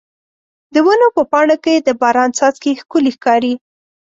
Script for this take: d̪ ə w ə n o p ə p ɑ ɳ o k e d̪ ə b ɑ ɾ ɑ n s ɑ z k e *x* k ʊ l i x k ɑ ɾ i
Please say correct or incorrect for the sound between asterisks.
correct